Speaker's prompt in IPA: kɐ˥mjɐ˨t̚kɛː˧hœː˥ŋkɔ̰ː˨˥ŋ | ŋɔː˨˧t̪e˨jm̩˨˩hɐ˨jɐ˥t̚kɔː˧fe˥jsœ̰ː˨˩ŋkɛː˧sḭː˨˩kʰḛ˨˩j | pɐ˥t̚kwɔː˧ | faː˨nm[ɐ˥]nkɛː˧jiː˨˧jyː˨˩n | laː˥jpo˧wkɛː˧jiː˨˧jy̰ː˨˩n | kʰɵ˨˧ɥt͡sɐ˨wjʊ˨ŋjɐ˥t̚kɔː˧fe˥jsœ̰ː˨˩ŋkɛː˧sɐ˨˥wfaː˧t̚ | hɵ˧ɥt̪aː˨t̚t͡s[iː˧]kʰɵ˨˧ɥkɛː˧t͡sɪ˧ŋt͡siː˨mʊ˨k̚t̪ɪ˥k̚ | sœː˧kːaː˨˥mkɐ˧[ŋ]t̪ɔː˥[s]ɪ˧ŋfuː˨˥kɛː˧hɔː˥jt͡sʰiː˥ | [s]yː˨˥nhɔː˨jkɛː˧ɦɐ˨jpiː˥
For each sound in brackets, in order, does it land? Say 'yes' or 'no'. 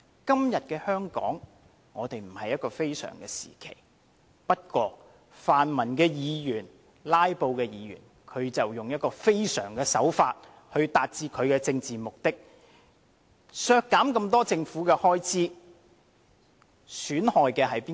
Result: no, yes, no, no, yes

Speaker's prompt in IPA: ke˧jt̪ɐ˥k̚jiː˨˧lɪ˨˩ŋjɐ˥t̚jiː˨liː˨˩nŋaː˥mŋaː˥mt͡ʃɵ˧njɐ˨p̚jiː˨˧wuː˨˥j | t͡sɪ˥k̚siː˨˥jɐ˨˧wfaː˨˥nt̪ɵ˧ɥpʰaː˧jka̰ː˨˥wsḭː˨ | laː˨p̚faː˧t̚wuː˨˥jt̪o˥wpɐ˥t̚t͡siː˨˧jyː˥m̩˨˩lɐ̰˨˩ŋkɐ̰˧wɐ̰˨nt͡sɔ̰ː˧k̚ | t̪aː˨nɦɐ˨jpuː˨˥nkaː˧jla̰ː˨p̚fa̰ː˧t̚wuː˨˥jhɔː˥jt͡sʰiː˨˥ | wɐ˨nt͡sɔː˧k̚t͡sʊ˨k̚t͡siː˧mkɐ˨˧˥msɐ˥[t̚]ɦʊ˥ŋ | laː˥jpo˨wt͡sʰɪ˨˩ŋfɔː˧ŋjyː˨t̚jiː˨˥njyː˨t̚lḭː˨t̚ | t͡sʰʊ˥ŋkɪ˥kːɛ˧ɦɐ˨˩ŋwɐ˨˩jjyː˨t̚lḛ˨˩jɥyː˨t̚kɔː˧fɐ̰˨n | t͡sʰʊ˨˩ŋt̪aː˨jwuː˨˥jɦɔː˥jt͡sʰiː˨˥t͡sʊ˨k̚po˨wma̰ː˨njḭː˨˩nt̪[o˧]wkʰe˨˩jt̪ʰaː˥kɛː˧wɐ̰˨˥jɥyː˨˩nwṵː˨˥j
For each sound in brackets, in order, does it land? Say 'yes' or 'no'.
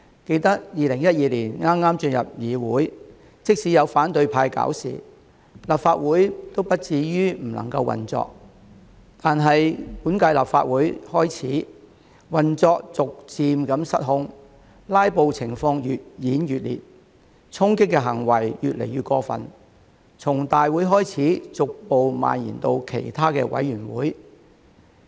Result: yes, yes

